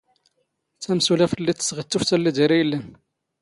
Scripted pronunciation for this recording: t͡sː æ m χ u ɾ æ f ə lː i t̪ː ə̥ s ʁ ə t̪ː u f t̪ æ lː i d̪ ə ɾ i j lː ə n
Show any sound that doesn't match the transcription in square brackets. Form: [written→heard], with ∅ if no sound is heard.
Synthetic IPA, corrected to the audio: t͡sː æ m [χ→s] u [ɾ→l] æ f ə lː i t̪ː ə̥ s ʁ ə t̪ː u f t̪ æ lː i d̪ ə ɾ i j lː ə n

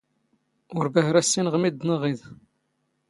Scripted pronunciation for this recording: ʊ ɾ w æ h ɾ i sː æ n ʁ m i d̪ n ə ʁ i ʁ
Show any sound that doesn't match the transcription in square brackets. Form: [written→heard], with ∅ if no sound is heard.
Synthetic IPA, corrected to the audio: ʊ ɾ [w→b] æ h ɾ [i→æ] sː [æ→i] n ʁ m i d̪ n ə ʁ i [ʁ→ð]

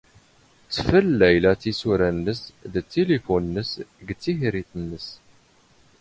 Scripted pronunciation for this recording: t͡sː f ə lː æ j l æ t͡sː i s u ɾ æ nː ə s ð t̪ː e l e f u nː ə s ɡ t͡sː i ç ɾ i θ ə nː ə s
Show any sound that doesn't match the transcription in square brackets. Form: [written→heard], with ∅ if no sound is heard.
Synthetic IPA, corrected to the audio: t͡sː f ə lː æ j l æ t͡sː i s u ɾ æ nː ə s ð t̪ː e l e f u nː ə s ɡ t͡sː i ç ɾ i θ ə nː ə s

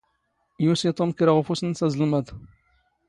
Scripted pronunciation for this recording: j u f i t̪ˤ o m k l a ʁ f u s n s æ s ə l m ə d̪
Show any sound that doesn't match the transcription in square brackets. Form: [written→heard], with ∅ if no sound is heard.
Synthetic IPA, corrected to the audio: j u [f→s] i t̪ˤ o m k [l→ɾ] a ʁ f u s n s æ [s→z] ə l m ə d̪

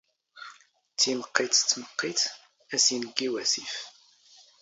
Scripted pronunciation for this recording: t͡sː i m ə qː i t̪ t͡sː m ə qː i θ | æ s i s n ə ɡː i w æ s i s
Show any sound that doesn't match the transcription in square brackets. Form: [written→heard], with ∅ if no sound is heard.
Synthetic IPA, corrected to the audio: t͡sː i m ə qː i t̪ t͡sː m ə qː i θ | æ s i [s→∅] n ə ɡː i w æ s i [s→f]

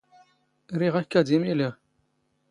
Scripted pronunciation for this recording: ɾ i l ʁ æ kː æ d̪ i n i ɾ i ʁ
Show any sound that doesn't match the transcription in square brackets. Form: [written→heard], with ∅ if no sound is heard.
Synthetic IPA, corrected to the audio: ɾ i [l→∅] ʁ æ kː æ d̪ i [n→m] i [ɾ→l] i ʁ

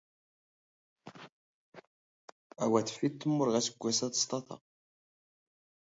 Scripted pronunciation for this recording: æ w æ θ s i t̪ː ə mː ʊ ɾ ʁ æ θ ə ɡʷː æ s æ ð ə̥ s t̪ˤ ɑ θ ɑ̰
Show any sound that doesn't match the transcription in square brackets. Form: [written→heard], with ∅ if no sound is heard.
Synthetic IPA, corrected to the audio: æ w æ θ [s→f] i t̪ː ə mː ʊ ɾ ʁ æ [θ→s] ə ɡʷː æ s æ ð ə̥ s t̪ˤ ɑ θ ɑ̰

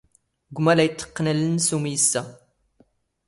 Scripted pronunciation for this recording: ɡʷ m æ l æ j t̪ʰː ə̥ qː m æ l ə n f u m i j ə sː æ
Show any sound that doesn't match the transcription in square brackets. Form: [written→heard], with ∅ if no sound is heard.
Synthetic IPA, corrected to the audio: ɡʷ m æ l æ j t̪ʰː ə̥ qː [m→n] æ l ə n [f→s] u m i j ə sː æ

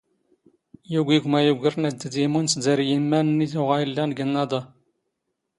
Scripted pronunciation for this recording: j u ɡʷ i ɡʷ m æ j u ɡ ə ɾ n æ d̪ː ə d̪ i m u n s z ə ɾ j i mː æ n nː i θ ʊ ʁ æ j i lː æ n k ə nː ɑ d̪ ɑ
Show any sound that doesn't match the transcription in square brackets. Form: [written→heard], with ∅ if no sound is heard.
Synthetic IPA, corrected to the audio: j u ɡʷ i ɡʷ m æ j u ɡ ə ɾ n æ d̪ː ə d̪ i m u n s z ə ɾ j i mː æ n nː i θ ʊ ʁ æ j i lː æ n [k→ɡ] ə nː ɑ d̪ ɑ

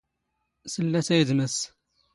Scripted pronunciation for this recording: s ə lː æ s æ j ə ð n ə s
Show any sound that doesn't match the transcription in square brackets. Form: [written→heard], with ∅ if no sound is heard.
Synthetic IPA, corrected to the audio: s ə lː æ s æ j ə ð [n→m] ə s

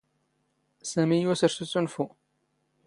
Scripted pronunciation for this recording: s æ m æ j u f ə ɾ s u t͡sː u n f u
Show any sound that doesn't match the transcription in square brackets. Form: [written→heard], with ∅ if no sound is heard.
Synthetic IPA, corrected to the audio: s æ m [æ→i] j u [f→s] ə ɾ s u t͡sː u n f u

